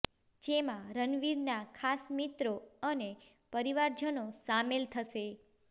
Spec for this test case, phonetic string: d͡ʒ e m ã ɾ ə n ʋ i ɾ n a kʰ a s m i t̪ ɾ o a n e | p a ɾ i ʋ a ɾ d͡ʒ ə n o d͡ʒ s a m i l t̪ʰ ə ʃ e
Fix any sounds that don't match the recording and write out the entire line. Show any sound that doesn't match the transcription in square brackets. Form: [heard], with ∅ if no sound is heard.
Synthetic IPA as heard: d͡ʒ e m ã ɾ ə n ʋ i ɾ n a kʰ a s m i t̪ ɾ o [ə] n e | p [ə] ɾ i ʋ a ɾ d͡ʒ ə n o [∅] s a m [e] l t̪ʰ ə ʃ e